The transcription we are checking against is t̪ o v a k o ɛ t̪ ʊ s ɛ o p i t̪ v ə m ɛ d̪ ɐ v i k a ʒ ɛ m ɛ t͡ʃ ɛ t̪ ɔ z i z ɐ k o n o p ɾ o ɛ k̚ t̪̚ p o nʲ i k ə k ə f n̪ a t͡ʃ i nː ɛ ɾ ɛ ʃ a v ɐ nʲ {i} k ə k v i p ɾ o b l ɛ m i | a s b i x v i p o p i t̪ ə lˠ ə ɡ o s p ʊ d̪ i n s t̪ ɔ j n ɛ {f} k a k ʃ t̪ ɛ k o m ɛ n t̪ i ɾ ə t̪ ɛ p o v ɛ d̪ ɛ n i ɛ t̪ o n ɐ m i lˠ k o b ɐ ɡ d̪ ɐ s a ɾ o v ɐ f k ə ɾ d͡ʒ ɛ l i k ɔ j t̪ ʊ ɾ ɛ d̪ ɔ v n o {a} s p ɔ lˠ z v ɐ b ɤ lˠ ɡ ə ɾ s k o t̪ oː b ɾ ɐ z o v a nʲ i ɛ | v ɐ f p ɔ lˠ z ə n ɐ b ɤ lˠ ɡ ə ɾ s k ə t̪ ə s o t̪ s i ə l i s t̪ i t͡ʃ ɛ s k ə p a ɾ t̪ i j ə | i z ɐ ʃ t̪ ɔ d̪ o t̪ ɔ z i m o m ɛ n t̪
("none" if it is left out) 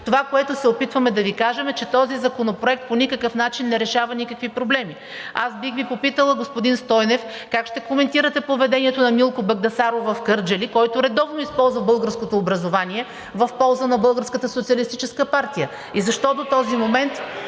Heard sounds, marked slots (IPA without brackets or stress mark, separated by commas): i, f, i